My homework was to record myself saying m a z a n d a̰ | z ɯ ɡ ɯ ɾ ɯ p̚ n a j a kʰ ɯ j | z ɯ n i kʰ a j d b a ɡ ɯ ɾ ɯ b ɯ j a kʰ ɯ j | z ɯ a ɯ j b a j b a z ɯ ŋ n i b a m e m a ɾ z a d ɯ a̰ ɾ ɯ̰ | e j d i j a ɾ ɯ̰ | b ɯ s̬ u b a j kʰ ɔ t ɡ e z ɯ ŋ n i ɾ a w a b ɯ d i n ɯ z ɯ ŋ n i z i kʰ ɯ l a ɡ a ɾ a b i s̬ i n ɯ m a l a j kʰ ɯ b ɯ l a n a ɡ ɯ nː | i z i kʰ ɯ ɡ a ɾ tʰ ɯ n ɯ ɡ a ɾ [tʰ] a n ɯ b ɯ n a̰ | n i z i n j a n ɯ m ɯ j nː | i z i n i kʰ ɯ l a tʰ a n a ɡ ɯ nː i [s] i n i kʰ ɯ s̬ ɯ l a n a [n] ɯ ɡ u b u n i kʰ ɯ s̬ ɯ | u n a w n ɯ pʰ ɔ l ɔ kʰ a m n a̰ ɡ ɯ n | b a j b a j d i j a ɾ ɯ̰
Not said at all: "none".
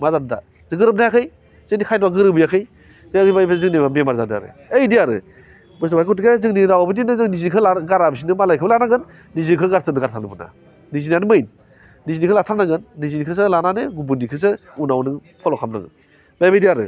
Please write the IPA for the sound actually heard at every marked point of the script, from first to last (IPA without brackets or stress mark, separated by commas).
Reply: tʰ, z, n